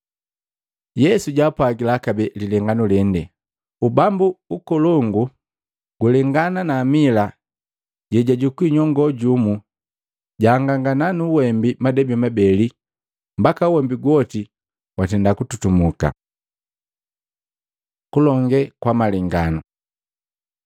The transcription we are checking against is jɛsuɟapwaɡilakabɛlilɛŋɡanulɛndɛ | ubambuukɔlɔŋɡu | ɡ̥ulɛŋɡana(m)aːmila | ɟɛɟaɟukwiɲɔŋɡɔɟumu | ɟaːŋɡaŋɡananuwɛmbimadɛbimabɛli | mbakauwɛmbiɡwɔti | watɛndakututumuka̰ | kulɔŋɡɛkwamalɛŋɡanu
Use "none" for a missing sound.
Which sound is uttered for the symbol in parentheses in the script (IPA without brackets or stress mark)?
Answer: n